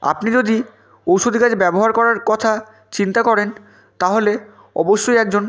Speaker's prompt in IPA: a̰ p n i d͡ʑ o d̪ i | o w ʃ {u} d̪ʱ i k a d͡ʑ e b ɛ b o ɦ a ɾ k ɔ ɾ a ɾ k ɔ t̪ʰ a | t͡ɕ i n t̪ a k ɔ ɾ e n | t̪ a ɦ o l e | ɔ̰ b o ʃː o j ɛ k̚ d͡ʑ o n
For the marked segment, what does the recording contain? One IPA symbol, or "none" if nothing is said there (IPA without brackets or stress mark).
o